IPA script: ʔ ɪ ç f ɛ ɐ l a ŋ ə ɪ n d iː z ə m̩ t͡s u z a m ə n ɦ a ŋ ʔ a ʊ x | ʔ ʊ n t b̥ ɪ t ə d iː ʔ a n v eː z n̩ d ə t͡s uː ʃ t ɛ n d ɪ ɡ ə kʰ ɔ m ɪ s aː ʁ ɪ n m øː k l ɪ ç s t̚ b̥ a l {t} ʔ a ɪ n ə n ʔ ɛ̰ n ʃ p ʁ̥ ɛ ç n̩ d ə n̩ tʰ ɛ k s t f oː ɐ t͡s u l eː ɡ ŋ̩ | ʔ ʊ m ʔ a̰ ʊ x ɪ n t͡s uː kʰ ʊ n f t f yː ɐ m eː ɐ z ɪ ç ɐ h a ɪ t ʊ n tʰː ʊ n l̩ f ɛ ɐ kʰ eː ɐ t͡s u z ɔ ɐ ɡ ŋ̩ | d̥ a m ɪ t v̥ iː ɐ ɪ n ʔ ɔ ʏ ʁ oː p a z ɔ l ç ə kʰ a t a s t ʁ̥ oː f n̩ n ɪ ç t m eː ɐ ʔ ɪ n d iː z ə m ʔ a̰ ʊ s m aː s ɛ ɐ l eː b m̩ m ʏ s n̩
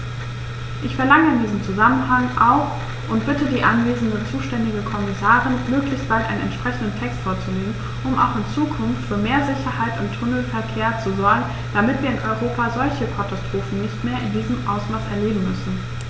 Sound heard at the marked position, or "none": t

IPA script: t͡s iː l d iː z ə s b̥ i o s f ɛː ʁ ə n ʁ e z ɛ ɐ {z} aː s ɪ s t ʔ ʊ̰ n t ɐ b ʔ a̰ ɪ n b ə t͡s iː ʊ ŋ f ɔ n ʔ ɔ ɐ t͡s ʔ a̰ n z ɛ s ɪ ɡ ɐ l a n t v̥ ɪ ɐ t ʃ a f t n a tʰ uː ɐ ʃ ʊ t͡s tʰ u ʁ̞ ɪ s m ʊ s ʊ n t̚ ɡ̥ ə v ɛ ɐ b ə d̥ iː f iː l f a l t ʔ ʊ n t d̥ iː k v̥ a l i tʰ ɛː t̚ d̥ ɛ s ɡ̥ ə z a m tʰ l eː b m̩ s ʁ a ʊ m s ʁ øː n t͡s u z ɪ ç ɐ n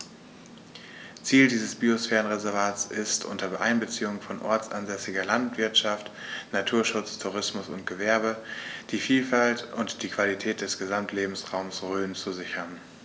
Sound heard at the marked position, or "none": v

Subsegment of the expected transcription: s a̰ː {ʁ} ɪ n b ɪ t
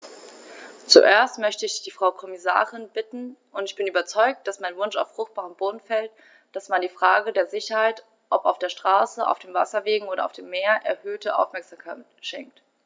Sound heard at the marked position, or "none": ʁ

